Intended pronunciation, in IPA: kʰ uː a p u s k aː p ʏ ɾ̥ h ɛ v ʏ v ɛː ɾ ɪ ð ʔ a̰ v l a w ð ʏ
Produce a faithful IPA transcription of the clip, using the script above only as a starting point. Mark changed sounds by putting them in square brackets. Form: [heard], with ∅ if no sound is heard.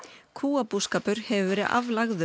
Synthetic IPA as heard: kʰ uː a p u s k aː p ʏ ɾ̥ h ɛ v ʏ v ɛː ɾ ɪ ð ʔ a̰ v l a [ɣ] ð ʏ